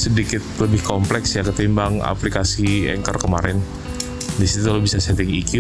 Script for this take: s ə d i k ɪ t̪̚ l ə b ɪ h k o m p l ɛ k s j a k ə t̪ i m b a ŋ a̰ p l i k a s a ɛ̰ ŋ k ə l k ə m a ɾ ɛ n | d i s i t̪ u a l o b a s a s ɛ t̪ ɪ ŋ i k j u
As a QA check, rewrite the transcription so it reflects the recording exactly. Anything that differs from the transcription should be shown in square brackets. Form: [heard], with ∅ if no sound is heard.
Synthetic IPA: s ə d i k ɪ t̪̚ l ə b ɪ h k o m p l ɛ k s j a k ə t̪ i m b a ŋ a̰ p l i k a s [i] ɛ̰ ŋ k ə [r] k ə m a ɾ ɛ n | d i s i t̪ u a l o b [i] s a s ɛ t̪ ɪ ŋ i k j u